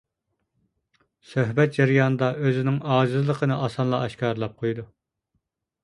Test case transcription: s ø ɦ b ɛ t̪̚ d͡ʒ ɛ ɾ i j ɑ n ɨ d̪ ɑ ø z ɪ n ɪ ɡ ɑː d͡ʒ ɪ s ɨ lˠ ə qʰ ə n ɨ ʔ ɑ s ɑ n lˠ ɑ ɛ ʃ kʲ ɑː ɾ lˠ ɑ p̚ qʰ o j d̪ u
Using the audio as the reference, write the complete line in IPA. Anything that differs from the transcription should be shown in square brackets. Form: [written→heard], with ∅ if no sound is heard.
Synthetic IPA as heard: s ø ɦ b ɛ t̪̚ d͡ʒ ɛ ɾ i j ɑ n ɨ d̪ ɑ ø z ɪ n ɪ [ɡ→ŋ] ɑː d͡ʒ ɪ [s→z] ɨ lˠ ə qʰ ə n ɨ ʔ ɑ s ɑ n lˠ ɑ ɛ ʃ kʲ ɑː ɾ lˠ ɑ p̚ qʰ o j d̪ u